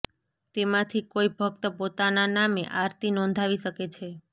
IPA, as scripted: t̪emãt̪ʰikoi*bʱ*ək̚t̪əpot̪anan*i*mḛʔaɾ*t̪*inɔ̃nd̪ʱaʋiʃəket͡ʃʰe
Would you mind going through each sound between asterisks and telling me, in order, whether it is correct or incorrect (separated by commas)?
correct, incorrect, correct